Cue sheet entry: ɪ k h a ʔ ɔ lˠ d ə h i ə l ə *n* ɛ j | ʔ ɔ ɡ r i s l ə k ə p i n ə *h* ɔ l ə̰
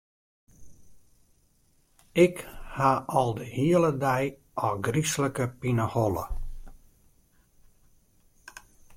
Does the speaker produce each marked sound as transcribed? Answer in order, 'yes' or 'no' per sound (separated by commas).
no, yes